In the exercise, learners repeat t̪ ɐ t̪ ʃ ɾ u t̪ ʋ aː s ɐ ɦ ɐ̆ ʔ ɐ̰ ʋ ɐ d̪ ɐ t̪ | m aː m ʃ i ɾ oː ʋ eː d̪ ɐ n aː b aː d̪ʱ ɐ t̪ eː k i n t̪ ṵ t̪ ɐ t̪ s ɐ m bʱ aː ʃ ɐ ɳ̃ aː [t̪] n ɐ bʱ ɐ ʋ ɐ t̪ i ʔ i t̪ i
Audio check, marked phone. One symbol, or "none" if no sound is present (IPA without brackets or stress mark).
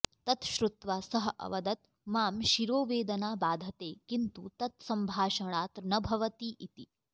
t̪